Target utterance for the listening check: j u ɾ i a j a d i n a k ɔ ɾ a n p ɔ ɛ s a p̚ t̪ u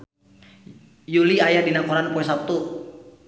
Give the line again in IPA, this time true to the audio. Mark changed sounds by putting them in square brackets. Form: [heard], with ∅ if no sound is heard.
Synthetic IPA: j u [l] i a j a d i n a k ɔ ɾ a n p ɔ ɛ s a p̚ t̪ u